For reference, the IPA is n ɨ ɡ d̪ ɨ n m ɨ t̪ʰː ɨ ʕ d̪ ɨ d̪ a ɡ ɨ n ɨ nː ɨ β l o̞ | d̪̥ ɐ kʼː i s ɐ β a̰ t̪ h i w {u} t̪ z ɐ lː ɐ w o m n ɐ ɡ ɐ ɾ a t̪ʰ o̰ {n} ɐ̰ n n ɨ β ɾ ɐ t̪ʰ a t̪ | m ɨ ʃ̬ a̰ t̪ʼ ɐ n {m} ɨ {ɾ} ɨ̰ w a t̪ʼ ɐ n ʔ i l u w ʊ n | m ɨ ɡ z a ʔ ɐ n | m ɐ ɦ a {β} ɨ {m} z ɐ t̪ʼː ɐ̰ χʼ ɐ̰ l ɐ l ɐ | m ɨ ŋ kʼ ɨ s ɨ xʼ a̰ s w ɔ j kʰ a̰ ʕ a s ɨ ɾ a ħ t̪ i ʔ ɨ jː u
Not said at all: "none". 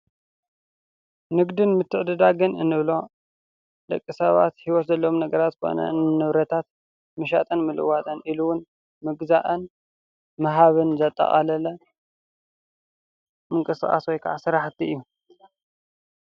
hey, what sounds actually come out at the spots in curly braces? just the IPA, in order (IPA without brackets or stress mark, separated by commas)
ɔ, n, m, l, β, n